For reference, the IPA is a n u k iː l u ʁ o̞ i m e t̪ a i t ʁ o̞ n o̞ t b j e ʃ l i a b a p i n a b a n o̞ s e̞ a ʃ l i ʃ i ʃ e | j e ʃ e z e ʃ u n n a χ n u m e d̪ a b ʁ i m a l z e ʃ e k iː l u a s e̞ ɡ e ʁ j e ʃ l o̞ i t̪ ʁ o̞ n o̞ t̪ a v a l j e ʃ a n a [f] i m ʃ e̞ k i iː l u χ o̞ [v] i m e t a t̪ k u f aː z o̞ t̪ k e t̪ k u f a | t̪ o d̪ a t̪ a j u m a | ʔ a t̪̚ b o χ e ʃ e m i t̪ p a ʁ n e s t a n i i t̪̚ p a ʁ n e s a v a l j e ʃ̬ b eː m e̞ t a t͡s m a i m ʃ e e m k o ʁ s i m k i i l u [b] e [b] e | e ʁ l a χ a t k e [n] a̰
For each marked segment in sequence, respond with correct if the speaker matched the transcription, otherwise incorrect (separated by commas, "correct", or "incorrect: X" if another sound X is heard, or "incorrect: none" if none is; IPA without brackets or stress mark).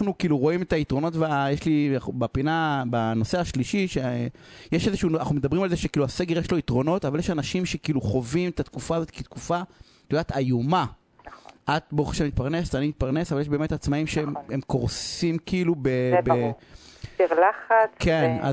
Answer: incorrect: ʃ, correct, correct, correct, correct